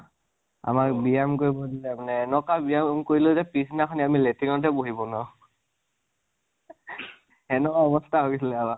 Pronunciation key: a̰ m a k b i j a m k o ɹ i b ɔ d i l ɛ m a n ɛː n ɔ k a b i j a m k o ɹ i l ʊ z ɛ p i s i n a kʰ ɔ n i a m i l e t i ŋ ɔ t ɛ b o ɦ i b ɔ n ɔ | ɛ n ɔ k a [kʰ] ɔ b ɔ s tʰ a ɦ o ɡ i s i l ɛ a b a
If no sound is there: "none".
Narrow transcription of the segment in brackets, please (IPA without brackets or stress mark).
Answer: none